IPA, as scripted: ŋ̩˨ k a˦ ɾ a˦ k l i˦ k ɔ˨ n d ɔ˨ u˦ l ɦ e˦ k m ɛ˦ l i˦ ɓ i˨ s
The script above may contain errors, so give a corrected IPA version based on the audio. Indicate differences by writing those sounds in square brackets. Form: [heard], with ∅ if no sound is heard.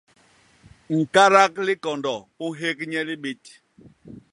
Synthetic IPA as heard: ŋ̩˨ k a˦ ɾ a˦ k l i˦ k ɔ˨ n d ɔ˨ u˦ [∅] ɦ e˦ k [ɲ] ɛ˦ l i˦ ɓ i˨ [t]